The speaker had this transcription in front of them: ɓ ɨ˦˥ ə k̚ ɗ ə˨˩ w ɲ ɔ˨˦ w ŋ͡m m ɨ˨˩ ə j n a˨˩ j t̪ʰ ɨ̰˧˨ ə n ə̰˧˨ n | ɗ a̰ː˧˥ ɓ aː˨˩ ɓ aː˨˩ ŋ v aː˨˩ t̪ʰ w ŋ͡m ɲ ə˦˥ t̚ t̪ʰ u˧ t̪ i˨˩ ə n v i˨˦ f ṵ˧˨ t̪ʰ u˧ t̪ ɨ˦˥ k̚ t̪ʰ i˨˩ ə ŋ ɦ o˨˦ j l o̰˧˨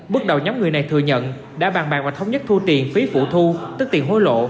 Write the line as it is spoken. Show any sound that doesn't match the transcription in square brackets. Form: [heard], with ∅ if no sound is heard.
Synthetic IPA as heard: ɓ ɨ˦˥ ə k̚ ɗ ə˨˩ w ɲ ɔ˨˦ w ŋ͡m [ŋ] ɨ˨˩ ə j n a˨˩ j t̪ʰ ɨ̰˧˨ ə [ɲ] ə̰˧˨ n | ɗ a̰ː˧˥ ɓ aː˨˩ ɓ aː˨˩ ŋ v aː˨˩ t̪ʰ w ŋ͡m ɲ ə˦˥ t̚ t̪ʰ u˧ t̪ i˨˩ ə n [f] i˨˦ f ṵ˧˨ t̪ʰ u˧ t̪ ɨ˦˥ k̚ [t̪] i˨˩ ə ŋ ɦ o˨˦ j l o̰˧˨

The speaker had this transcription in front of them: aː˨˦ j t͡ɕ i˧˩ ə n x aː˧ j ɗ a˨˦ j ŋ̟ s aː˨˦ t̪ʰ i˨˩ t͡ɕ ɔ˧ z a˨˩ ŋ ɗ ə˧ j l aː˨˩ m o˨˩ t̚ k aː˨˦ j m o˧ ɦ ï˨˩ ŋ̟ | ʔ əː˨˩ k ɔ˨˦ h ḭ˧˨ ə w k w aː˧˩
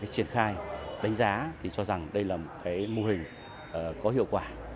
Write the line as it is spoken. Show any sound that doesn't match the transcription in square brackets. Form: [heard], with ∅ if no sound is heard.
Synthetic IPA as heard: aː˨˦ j t͡ɕ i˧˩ ə n x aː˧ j ɗ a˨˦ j ŋ̟ [z] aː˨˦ t̪ʰ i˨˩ t͡ɕ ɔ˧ z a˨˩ ŋ ɗ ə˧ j l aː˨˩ m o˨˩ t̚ k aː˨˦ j m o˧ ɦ ï˨˩ ŋ̟ | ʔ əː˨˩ k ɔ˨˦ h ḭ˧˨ ə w k w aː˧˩

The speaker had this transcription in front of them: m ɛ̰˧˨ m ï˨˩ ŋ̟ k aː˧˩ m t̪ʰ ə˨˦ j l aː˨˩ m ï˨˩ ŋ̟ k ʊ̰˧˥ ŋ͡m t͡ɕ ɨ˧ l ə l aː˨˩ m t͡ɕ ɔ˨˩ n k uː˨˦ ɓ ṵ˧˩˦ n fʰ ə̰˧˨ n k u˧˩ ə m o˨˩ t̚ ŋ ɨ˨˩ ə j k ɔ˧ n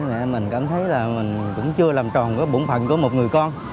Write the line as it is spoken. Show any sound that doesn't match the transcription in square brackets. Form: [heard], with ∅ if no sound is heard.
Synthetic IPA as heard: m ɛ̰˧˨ m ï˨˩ ŋ̟ k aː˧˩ m t̪ʰ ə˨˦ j l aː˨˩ m ï˨˩ ŋ̟ k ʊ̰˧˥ ŋ͡m t͡ɕ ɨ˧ [∅] ə l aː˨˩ m t͡ɕ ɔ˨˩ n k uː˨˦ ɓ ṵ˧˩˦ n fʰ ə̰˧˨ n k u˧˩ ə m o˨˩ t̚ ŋ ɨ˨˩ ə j k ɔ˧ n

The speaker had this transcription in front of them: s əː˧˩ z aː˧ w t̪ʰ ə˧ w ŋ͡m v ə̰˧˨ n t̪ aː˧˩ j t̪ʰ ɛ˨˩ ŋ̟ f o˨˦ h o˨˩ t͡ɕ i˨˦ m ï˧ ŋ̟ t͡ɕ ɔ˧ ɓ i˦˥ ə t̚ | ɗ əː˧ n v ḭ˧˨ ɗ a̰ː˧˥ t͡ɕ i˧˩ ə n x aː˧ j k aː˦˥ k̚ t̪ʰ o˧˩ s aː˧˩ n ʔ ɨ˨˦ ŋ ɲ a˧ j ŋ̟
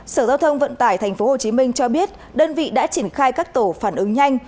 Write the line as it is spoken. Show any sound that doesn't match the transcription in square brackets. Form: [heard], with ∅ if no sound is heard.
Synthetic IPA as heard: s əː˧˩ z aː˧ w t̪ʰ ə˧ w ŋ͡m v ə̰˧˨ n t̪ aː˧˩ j t̪ʰ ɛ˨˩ ŋ̟ f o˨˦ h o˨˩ t͡ɕ i˨˦ m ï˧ ŋ̟ t͡ɕ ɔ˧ ɓ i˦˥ ə t̚ | ɗ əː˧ n v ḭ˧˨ ɗ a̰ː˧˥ t͡ɕ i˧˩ ə n x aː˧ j k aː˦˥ k̚ [t̪] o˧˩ [f] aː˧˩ n ʔ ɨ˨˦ ŋ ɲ a˧ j ŋ̟

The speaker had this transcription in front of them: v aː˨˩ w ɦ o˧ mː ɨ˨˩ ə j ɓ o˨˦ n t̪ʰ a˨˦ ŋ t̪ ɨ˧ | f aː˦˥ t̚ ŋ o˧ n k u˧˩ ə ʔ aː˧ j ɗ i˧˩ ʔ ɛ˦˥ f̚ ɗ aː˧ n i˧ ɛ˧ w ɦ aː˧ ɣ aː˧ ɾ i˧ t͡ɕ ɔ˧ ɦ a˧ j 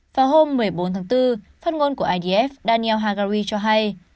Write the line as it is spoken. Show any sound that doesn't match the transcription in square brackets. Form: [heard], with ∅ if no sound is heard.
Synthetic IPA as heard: v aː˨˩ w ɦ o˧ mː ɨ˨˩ ə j ɓ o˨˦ n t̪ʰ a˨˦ ŋ t̪ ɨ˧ | f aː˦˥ t̚ ŋ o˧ n k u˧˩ ə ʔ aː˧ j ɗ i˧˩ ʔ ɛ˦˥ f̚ ɗ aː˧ n i˧ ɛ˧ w ɦ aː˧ ɣ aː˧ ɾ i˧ t͡ɕ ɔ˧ ɦ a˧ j

